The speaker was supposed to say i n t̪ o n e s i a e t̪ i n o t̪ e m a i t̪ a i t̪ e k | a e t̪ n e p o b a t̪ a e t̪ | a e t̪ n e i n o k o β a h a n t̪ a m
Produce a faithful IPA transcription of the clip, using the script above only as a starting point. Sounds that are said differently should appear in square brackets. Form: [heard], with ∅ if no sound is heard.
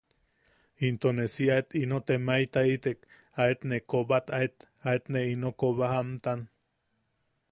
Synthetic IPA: i n t̪ o n e s i a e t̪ i n o t̪ e m a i t̪ a i t̪ e k | a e t̪ n e [k] o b a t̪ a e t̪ | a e t̪ n e i n o k o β a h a [m] t̪ a [n]